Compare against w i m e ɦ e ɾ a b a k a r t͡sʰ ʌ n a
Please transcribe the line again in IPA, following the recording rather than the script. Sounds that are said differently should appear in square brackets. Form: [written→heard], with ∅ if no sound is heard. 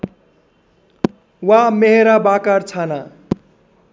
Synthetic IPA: w [i→a] m e ɦ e ɾ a b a k a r t͡sʰ [ʌ→a] n a